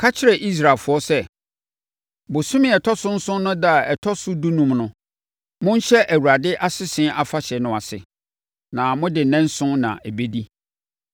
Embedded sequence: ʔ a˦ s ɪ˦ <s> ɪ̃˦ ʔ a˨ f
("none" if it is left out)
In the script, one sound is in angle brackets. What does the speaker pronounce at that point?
s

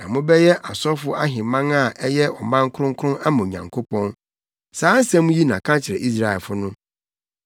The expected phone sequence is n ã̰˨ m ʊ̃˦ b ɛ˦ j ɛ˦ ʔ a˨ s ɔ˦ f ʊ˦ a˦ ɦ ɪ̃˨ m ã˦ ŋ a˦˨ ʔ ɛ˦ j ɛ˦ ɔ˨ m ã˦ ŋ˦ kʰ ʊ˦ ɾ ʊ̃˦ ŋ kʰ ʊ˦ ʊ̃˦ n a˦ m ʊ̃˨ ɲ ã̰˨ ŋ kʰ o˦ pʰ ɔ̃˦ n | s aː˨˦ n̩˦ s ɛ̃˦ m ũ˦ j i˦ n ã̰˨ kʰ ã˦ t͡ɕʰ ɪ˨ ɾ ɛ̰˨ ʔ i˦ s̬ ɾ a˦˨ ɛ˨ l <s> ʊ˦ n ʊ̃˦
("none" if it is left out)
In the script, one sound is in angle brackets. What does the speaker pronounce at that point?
f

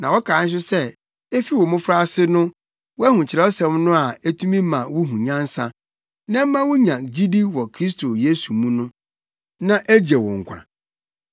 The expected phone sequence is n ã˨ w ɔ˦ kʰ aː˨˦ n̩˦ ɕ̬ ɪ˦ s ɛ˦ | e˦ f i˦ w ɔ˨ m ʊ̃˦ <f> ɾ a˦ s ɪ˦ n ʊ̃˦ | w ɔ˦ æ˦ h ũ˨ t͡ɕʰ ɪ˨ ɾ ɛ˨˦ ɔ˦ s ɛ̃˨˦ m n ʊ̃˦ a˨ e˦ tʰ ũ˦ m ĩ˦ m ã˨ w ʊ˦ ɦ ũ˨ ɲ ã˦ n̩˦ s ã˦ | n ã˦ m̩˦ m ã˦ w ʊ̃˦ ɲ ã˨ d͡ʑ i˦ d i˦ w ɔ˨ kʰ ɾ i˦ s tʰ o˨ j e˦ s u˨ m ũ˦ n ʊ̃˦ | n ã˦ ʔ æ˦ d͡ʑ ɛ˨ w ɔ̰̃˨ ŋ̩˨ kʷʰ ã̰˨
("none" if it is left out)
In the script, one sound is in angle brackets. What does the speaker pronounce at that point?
f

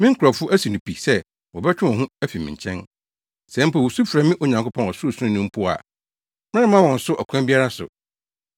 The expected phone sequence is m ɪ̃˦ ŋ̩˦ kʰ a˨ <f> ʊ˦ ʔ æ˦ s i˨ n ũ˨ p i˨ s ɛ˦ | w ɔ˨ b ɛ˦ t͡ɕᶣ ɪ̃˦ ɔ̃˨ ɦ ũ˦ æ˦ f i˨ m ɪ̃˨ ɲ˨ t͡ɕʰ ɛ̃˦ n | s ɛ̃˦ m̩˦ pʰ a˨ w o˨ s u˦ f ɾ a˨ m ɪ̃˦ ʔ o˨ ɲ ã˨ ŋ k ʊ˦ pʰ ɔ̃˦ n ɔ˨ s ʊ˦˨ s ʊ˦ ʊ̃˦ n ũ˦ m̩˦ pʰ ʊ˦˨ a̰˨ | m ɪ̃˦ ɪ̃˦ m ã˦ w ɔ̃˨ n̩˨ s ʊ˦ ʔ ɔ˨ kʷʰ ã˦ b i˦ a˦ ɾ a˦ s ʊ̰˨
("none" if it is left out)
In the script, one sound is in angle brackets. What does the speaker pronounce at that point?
f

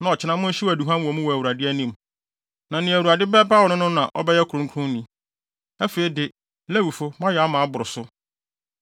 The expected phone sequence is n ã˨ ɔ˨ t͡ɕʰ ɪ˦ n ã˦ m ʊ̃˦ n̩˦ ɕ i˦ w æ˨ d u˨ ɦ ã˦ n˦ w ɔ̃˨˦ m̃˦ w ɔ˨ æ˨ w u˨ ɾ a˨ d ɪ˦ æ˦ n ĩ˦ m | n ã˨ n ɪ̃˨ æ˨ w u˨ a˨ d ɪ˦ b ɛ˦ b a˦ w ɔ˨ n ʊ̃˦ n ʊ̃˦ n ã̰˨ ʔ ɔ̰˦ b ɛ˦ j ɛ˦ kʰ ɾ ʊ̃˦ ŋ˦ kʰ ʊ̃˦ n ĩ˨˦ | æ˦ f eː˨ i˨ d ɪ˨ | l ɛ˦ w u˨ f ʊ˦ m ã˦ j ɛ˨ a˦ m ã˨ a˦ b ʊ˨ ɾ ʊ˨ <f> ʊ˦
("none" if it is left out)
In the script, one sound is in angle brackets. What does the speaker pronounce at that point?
s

